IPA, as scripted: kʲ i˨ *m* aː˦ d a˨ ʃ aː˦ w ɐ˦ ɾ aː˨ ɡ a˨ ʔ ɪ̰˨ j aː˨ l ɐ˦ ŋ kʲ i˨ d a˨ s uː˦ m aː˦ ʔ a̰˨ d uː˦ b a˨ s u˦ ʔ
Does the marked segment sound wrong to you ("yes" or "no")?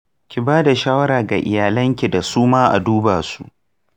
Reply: yes